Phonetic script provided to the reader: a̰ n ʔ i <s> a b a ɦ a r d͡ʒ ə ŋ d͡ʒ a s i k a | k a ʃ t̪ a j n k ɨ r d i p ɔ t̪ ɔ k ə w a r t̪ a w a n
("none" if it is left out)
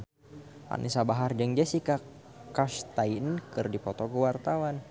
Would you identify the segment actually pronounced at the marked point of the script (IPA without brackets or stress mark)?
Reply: s